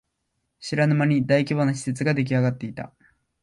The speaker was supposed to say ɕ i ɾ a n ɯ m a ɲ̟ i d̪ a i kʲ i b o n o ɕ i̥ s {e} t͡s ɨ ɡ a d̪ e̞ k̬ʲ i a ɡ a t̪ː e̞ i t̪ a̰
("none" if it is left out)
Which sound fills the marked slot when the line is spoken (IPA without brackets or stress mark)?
e